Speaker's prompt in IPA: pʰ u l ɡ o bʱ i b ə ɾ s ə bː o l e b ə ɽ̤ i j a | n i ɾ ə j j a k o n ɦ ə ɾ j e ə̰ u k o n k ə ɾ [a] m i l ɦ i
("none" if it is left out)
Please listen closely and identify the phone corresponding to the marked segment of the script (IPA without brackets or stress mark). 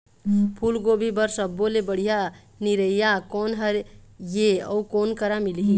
a